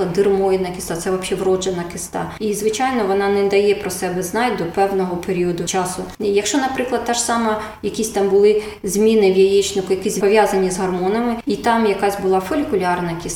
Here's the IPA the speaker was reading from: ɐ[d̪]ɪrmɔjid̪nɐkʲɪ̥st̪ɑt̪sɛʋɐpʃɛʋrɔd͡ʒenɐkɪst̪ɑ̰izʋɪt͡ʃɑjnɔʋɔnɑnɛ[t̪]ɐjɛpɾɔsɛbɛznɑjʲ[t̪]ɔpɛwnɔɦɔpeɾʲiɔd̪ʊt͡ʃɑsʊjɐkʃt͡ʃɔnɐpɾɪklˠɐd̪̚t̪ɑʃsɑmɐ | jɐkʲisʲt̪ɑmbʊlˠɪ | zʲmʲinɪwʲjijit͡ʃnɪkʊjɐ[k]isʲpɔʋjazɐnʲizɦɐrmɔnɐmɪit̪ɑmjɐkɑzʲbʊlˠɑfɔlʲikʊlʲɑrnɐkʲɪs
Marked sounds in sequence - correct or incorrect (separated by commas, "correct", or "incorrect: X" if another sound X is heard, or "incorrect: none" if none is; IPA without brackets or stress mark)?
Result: correct, incorrect: d̪, incorrect: d̪, correct